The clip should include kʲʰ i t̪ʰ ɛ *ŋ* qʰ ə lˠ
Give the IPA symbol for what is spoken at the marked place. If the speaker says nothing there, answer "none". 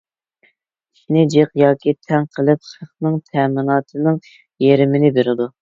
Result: ŋ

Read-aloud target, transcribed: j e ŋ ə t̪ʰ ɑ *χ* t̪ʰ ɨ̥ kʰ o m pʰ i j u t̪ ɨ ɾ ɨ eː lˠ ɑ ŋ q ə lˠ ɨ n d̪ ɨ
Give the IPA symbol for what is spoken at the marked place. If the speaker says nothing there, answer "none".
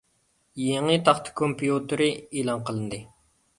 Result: χ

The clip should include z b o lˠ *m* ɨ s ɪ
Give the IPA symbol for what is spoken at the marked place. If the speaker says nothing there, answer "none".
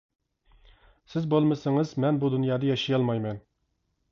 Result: m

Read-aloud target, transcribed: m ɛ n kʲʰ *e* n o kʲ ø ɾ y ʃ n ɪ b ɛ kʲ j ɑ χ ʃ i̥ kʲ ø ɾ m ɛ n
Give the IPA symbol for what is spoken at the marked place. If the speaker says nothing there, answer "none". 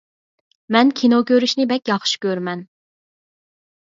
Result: i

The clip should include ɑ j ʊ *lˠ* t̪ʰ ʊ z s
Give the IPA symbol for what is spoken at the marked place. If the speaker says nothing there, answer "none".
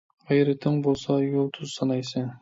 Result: lˠ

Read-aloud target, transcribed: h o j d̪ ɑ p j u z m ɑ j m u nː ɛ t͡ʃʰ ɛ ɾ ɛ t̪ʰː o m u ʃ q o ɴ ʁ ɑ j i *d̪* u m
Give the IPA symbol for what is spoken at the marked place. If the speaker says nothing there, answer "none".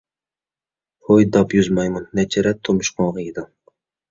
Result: d̪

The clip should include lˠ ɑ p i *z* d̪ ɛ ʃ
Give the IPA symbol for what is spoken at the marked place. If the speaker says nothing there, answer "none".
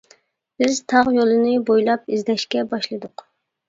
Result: z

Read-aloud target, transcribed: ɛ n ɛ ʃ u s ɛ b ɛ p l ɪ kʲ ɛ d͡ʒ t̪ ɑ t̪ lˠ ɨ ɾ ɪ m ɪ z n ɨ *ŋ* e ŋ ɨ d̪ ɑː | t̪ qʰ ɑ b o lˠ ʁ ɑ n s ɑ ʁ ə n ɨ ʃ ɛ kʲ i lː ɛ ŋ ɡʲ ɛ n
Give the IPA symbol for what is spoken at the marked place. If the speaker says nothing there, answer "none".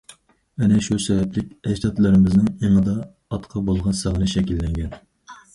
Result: ŋ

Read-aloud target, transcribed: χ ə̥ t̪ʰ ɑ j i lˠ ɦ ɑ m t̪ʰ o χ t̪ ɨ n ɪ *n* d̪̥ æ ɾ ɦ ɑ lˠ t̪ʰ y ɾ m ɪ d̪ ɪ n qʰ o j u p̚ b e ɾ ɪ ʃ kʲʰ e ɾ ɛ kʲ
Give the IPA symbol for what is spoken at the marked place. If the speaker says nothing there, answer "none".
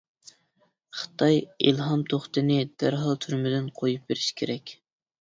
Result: none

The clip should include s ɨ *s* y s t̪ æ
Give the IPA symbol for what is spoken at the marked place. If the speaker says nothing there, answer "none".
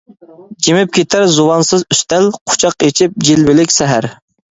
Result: z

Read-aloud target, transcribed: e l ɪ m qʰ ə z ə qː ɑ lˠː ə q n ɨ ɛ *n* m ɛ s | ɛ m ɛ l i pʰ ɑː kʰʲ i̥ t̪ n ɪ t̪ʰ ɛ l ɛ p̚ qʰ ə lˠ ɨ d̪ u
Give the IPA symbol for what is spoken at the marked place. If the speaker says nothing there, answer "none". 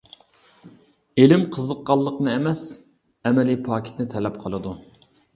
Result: none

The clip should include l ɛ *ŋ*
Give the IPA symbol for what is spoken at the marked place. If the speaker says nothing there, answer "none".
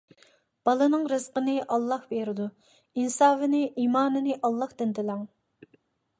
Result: ŋ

